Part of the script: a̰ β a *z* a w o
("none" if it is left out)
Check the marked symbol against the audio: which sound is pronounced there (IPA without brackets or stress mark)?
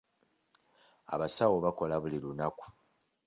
s